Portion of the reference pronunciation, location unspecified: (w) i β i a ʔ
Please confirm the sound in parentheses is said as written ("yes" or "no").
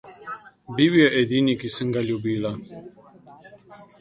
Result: no